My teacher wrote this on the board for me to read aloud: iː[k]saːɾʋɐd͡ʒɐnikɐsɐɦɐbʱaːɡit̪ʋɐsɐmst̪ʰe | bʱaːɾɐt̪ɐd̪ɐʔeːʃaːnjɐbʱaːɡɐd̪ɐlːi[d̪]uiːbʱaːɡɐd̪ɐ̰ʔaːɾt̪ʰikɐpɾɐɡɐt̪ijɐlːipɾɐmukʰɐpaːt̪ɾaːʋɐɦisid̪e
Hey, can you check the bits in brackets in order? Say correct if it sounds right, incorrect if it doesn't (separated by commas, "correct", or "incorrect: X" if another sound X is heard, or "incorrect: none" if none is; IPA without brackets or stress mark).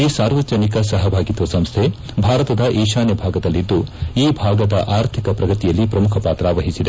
incorrect: none, incorrect: d̪ː